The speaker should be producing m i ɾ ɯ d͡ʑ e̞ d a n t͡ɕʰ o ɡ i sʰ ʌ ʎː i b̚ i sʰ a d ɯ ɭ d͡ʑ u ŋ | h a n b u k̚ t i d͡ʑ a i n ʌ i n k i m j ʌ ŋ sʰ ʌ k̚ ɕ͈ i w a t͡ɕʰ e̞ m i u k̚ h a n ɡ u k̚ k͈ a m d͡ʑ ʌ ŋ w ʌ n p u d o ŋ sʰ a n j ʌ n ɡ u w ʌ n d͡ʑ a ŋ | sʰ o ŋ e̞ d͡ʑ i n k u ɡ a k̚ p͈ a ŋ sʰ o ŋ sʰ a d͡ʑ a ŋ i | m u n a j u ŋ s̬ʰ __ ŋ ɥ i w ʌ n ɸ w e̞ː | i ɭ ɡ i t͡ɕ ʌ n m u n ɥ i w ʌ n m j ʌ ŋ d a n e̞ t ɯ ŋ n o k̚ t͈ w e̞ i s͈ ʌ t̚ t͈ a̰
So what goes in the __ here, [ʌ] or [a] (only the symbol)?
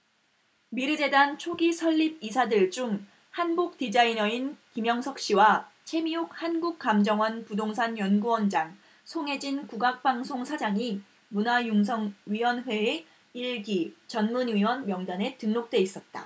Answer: ʌ